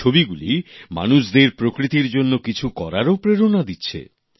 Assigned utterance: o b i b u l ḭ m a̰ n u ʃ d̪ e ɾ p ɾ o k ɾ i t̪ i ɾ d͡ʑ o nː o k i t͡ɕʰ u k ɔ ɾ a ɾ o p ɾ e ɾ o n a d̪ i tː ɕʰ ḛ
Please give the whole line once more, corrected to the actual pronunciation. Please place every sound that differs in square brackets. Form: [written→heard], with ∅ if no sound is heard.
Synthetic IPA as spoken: o b i [b→ɡ] u l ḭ m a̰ n u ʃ d̪ e ɾ p ɾ o k ɾ i t̪ i ɾ d͡ʑ o nː o k i t͡ɕʰ u k ɔ ɾ a ɾ o p ɾ e ɾ o n a d̪ i tː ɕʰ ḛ